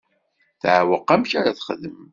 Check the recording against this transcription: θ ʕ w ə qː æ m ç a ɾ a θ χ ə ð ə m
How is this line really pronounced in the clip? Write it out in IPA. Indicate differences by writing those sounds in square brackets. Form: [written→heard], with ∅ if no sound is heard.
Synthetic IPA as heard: θ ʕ w ə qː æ m ç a ɾ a θ χ ə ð ə m